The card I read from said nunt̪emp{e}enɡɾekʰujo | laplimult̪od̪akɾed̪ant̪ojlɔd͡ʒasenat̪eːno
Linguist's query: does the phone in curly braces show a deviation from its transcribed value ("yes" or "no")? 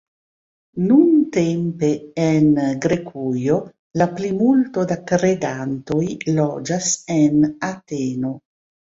no